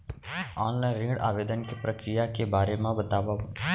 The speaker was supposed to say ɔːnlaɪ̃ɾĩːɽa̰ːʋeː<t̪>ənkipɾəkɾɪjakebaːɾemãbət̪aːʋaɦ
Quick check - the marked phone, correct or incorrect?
incorrect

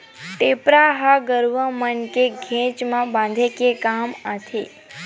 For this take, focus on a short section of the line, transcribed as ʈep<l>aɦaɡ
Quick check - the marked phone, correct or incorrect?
incorrect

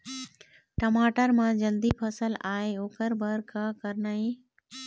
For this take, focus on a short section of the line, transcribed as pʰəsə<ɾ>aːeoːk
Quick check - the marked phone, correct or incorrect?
incorrect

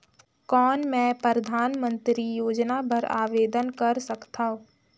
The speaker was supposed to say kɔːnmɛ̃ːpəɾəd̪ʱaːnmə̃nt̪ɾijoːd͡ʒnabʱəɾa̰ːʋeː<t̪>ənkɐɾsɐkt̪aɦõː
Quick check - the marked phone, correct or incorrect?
incorrect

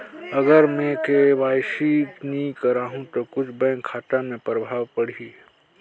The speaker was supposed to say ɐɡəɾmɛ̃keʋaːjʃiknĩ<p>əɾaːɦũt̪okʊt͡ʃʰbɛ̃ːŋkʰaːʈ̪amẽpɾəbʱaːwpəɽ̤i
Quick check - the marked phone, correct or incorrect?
incorrect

